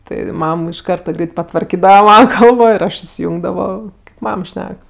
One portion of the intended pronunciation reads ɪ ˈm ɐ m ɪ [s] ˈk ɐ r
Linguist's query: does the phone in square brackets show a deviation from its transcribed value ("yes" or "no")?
yes